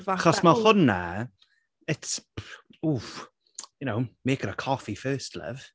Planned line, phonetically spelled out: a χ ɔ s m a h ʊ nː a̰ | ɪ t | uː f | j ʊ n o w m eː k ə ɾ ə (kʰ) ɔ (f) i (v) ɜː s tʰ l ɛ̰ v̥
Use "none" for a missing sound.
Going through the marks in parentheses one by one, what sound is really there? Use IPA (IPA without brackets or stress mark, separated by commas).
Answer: kʰ, f, f